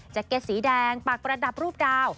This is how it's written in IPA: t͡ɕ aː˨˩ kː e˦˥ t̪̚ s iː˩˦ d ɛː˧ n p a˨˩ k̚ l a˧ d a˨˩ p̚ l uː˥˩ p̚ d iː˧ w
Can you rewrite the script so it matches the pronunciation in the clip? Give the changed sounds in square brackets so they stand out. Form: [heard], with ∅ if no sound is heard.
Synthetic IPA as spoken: t͡ɕ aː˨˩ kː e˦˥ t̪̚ s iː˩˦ d ɛː˧ [ŋ] p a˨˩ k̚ [ɾ] a˧ d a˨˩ p̚ [ɾ] uː˥˩ p̚ d [aː˧] w